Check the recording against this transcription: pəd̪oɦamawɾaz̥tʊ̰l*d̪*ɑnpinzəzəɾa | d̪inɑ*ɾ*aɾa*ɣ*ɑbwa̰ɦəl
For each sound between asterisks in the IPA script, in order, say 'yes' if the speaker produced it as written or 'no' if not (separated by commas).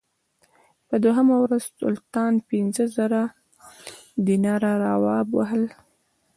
no, yes, no